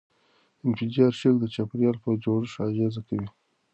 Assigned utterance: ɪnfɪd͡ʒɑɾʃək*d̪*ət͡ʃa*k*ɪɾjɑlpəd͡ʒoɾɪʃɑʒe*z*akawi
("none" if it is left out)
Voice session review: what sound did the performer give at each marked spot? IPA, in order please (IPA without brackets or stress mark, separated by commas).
d̪, p, z